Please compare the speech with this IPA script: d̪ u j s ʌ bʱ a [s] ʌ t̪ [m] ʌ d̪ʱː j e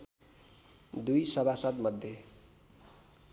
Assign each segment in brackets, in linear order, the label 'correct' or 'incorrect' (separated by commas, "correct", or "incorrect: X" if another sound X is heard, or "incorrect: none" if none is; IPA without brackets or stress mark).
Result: correct, correct